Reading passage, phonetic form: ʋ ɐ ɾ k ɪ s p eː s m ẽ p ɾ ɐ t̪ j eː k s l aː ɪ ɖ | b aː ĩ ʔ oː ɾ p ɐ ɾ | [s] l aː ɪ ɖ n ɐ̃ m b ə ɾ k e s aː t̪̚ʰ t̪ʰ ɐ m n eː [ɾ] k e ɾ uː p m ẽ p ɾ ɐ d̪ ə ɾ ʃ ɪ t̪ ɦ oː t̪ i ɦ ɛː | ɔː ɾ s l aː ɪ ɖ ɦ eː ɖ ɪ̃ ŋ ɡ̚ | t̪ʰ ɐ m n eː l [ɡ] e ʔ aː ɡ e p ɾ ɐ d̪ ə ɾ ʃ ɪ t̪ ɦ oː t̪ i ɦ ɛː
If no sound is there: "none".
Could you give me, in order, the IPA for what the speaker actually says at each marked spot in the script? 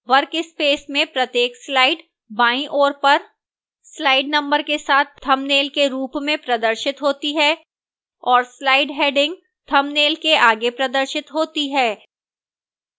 s, l, k

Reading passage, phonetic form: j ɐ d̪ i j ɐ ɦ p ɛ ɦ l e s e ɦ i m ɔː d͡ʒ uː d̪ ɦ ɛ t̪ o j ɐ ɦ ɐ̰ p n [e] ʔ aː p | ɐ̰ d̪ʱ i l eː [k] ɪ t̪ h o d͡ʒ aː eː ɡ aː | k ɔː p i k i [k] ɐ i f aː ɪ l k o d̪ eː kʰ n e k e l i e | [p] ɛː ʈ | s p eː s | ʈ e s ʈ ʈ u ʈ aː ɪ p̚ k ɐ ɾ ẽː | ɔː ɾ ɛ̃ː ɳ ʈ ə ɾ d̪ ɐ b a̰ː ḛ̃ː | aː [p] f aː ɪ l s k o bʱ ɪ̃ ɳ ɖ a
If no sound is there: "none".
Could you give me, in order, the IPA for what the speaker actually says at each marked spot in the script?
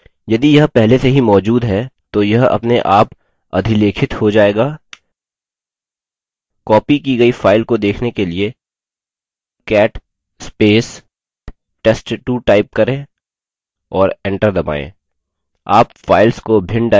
e, kʰ, ɡ, k, p

